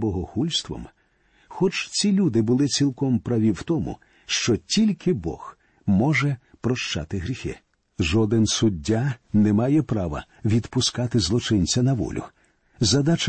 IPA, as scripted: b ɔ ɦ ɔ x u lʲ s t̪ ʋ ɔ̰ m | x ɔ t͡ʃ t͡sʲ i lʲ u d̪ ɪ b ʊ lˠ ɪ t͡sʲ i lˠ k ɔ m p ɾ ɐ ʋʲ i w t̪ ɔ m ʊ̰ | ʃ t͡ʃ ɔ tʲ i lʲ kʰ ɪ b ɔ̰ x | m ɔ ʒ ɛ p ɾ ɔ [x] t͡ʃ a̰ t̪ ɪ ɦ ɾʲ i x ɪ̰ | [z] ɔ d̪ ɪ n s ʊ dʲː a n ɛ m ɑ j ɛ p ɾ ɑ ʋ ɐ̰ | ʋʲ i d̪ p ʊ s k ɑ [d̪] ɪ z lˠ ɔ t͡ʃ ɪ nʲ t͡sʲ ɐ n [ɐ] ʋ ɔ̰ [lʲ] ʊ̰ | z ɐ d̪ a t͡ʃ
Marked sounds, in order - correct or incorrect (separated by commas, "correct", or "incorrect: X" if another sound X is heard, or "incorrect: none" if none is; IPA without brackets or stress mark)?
incorrect: ʃ, incorrect: ʒ, incorrect: t̪, correct, correct